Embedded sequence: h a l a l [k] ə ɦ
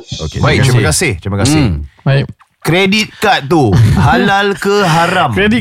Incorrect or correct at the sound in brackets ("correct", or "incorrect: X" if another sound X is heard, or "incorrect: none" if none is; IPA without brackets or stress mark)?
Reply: correct